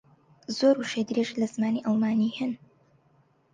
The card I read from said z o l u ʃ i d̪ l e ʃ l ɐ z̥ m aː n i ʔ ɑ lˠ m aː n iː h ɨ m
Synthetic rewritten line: z o ɾ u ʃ e d̪ ɾ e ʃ l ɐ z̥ m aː n i ʔ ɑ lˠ m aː n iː h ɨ n